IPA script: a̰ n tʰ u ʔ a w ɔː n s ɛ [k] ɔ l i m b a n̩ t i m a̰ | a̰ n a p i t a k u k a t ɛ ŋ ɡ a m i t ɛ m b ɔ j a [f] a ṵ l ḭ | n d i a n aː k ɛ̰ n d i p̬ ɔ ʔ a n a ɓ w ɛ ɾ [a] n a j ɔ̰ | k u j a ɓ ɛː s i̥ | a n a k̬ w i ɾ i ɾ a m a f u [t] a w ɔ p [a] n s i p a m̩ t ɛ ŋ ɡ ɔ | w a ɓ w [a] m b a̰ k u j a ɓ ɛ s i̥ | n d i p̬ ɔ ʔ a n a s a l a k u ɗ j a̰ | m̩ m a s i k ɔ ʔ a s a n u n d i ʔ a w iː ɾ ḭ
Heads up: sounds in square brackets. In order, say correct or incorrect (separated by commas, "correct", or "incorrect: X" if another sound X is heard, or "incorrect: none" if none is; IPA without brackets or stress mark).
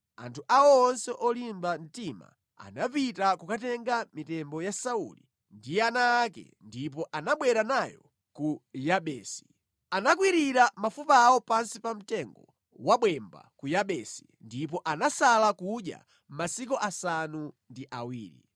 incorrect: ʔ, incorrect: s, correct, incorrect: p, correct, incorrect: ɛ